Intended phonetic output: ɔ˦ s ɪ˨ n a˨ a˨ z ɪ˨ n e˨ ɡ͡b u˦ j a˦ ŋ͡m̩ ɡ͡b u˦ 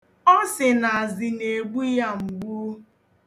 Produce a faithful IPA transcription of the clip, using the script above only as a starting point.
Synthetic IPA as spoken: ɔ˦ s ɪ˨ n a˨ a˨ z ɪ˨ n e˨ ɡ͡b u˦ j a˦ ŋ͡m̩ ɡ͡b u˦